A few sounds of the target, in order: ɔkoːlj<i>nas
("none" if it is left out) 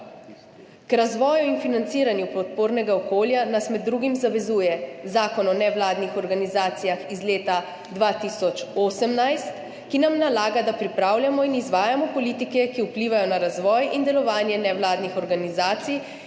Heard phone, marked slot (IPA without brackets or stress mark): a